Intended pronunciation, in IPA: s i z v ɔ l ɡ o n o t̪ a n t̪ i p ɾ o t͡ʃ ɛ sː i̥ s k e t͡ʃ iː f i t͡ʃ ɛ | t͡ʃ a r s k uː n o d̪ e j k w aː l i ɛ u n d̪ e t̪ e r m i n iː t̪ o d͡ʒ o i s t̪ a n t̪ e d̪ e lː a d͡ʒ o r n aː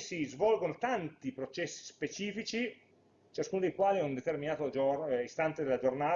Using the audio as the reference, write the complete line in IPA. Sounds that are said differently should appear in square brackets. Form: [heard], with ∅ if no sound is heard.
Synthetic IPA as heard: s i z v ɔ l ɡ o n o t̪ a n t̪ i p ɾ o t͡ʃ ɛ sː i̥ s [p] e t͡ʃ iː f i t͡ʃ [i] | t͡ʃ a [∅] s k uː n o d̪ e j k w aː l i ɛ u n d̪ e t̪ e r m i n [aː] t̪ o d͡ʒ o i s t̪ a n t̪ e d̪ e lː a d͡ʒ o r n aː